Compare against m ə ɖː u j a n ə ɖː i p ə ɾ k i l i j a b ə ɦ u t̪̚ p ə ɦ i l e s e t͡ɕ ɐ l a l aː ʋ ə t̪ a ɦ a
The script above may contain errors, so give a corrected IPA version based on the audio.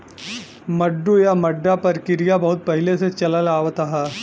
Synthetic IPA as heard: m ə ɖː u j a m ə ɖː a p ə ɾ k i ɾ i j a b ə ɦ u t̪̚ p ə ɦ i l e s e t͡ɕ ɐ l a l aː ʋ ə t̪ a ɦ a

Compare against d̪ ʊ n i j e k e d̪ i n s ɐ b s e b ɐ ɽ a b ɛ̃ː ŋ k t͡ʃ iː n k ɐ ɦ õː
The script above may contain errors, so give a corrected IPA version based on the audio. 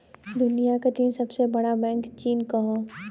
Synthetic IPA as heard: d̪ ʊ n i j a k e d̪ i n s ɐ b s e b ɐ ɽ a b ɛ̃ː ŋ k t͡ʃ iː n k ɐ ɦ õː

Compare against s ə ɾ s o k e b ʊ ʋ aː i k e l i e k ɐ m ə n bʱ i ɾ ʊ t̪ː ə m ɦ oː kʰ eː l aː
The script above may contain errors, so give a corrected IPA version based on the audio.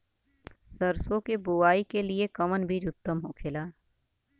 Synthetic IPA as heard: s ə ɾ s o k e b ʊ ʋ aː i k e l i e k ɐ m ə n bʱ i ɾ ʊ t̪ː ə m ɦ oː kʰ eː l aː

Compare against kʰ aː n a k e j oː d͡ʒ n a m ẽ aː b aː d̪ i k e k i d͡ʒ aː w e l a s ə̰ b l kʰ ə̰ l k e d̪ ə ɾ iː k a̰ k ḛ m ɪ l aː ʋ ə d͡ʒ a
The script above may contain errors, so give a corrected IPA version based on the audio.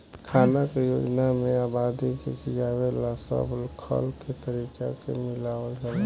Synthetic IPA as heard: kʰ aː n a k e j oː d͡ʒ n a m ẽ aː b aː d̪ i k e k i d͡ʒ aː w e l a s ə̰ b l kʰ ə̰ l k e t̪ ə ɾ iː k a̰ k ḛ m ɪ l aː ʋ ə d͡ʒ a

